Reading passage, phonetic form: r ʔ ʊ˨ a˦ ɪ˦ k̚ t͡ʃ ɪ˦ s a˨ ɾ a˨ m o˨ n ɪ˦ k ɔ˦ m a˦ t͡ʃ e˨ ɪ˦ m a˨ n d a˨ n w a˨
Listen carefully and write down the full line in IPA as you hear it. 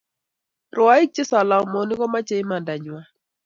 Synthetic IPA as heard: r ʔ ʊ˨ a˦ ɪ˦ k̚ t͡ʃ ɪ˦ s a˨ l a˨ m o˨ n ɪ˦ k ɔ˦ m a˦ t͡ʃ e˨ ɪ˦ m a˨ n d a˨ ɲ w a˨